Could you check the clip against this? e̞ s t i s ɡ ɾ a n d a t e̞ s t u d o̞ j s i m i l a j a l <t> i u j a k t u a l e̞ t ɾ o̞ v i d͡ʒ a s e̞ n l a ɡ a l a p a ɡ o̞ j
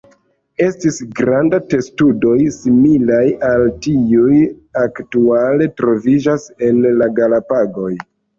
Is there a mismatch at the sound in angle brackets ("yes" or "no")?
no